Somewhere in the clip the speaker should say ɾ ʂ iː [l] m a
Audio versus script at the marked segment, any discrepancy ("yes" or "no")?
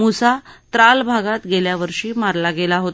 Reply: yes